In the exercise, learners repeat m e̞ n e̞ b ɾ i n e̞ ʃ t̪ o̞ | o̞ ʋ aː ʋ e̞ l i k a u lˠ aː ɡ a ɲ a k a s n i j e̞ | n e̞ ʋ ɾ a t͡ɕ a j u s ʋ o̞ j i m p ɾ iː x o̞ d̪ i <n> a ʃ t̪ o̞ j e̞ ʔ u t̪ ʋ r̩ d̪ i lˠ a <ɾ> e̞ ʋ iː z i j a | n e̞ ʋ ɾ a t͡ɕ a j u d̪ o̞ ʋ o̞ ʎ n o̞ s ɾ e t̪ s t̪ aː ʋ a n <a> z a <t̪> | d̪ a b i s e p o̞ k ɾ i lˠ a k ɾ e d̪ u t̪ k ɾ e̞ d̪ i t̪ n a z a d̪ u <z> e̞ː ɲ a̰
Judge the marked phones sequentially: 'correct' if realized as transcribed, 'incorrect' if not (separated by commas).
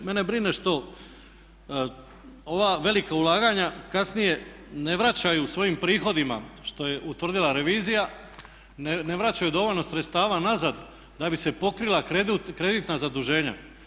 incorrect, correct, correct, incorrect, incorrect